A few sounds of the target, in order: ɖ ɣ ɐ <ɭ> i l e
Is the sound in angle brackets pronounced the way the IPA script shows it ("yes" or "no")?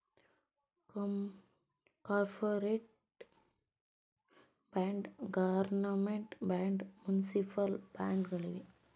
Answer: yes